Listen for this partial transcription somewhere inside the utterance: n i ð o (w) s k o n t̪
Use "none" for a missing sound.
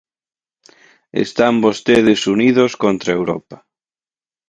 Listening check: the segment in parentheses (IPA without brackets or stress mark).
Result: none